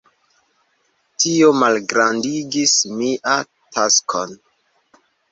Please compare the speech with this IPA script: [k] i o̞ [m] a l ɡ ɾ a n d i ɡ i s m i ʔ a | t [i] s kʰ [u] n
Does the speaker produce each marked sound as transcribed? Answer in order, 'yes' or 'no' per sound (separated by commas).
no, yes, no, no